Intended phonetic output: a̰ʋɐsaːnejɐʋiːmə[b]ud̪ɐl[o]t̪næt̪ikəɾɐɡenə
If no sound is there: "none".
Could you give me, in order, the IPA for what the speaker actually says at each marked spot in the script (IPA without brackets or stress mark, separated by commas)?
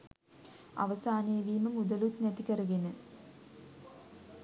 m, u